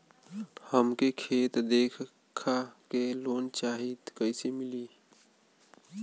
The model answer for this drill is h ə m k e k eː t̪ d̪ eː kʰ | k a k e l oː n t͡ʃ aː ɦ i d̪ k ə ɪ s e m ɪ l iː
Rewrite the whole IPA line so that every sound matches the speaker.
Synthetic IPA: h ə m k e kʰ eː t̪ d̪ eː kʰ | kʰ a k e l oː n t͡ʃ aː ɦ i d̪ k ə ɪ s e m ɪ l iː